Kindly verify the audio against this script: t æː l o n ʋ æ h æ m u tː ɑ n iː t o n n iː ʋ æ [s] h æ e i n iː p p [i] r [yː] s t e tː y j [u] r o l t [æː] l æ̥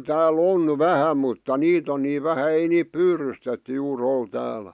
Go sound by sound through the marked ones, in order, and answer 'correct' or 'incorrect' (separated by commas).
incorrect, incorrect, incorrect, incorrect, correct